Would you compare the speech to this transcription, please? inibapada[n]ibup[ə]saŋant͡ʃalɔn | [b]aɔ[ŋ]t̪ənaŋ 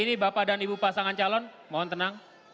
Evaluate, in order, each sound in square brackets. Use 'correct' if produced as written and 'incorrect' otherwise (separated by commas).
correct, incorrect, incorrect, incorrect